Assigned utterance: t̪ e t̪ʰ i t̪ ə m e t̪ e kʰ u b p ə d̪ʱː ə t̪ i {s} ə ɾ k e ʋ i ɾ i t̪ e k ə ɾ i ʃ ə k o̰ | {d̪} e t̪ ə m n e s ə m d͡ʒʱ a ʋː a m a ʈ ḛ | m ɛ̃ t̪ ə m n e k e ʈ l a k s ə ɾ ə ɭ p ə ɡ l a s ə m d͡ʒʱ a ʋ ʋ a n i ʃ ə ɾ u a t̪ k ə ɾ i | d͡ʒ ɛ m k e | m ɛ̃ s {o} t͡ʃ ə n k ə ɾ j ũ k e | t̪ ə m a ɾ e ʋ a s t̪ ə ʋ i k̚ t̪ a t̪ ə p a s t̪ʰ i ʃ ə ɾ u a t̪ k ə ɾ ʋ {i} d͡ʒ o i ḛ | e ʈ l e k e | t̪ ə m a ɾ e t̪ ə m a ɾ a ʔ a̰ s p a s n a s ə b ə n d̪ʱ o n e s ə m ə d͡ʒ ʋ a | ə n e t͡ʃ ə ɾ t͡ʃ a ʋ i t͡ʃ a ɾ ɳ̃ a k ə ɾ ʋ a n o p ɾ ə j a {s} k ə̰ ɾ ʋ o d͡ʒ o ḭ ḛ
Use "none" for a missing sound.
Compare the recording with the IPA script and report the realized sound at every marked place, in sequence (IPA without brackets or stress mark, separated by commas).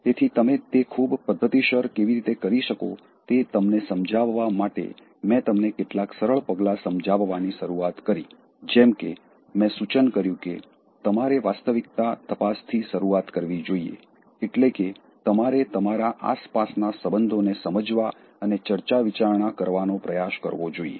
ʃ, t̪, u, i, ʃ